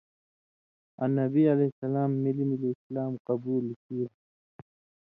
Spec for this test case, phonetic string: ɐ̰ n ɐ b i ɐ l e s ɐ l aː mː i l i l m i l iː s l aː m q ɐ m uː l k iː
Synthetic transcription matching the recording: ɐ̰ n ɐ b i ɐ l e s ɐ l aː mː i l i m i l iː s l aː m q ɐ b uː l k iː